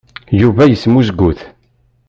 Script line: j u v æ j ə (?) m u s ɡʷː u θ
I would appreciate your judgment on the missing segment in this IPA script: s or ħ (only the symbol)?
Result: s